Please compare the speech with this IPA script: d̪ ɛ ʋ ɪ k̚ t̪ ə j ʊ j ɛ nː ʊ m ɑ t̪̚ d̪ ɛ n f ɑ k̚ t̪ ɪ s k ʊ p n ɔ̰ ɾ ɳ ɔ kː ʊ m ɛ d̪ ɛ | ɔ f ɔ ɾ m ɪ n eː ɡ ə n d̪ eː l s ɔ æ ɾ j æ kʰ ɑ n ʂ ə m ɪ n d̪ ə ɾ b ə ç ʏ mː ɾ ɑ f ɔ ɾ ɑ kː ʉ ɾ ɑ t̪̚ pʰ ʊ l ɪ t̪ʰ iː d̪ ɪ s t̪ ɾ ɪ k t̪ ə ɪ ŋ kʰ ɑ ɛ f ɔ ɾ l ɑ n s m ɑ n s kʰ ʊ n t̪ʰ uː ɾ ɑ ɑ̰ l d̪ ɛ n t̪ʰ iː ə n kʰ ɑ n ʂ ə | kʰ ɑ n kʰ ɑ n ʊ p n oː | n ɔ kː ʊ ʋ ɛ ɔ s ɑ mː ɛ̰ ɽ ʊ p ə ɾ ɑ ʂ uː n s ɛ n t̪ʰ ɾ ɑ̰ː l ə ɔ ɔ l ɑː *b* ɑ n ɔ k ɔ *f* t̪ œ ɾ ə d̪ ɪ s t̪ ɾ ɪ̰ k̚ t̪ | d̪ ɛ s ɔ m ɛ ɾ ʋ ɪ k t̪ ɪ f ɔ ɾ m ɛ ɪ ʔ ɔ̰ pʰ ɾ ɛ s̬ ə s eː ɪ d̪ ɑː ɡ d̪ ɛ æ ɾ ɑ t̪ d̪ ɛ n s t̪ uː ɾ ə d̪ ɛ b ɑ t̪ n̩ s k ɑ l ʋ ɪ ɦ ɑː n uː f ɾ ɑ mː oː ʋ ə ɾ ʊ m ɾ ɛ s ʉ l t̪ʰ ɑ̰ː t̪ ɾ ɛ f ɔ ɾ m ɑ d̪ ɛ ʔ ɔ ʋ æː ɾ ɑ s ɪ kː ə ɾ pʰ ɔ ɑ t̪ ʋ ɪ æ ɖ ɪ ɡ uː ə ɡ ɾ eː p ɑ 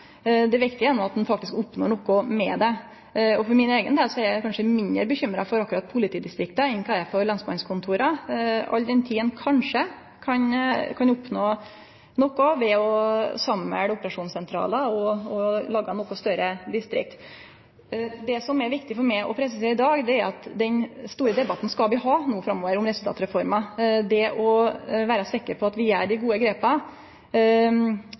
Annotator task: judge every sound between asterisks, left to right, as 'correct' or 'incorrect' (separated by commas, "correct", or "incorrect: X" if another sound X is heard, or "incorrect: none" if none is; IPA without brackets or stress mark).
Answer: incorrect: ɡ, incorrect: s